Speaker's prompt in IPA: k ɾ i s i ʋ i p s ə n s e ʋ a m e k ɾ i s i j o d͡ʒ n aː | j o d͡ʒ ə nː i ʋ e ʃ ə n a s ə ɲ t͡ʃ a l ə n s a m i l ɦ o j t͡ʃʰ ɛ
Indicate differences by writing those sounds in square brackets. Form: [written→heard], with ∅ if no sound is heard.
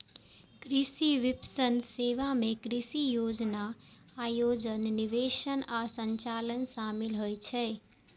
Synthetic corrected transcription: k ɾ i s i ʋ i p s ə n s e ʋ a m e k ɾ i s i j o d͡ʒ n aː | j o d͡ʒ ə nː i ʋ e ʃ ə n a s ə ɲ t͡ʃ a l ə n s a m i l ɦ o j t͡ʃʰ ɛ